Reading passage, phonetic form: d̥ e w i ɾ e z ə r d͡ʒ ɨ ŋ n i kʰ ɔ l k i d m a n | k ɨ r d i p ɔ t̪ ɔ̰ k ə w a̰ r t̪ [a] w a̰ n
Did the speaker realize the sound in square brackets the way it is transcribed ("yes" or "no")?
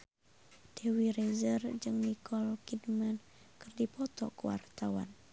yes